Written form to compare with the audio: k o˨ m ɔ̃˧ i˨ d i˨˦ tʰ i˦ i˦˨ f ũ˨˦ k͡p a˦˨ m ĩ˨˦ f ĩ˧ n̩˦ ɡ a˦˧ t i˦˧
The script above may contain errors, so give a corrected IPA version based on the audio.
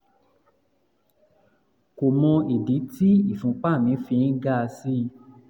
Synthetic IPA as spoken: k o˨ m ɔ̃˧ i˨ d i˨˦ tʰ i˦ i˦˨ f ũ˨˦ k͡p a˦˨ m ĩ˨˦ f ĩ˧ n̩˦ ɡ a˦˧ s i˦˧